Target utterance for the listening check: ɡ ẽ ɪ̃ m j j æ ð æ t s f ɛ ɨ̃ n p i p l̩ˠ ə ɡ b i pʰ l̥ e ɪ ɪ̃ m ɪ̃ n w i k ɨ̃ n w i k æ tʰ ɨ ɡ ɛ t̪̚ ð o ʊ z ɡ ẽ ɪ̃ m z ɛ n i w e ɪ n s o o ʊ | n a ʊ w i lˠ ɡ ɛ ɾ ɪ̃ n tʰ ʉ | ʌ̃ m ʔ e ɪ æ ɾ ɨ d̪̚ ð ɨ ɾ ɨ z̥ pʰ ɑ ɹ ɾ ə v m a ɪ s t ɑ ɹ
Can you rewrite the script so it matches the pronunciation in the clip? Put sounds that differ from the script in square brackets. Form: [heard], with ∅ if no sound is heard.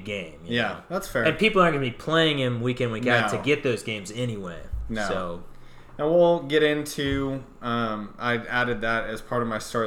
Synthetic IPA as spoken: ɡ ẽ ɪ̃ m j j æ ð æ t s f ɛ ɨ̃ n p i p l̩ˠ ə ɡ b i pʰ l̥ e ɪ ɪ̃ [ŋ] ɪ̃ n w i k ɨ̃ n w i k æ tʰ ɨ ɡ ɛ t̪̚ ð o ʊ z ɡ ẽ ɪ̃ m z ɛ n i w e ɪ n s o o ʊ | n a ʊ w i lˠ ɡ ɛ ɾ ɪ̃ n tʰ ʉ | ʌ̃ m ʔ [a] ɪ æ ɾ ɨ d̪̚ ð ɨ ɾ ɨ z̥ pʰ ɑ ɹ ɾ [ʌ] v m a ɪ s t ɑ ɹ